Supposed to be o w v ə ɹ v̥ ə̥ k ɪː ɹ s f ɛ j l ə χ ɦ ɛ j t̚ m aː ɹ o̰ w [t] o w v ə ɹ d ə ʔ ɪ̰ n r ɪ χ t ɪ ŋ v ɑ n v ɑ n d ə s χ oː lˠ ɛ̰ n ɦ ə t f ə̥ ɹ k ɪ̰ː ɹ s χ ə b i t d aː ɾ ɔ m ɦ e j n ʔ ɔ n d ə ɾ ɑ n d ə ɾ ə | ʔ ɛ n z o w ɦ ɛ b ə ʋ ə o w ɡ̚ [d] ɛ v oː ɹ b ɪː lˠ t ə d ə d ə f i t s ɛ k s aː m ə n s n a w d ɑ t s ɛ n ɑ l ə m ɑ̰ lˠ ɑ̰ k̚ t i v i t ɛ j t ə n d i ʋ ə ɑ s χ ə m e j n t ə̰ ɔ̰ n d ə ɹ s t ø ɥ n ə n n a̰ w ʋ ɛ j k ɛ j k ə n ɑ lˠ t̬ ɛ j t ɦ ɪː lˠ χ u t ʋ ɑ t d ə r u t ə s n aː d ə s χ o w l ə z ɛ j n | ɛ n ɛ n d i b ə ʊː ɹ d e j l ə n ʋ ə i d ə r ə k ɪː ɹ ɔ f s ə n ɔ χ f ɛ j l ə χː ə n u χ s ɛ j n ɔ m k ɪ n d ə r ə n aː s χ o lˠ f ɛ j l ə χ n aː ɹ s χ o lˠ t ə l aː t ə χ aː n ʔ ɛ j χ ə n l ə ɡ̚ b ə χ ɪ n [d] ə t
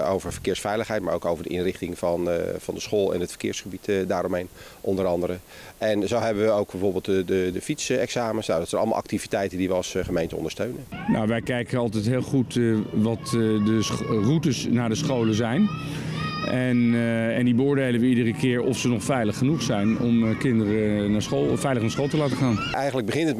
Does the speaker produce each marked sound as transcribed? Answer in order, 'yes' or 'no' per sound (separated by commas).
no, no, no